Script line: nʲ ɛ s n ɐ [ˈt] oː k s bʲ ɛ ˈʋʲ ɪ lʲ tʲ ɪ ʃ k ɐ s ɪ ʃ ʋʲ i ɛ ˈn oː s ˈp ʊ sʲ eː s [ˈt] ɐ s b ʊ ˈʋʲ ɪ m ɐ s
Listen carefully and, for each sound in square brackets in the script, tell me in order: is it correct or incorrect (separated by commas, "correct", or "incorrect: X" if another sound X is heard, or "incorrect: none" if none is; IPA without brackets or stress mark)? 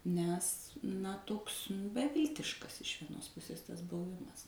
correct, correct